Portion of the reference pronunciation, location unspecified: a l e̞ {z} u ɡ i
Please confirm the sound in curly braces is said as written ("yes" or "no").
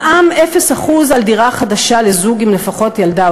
yes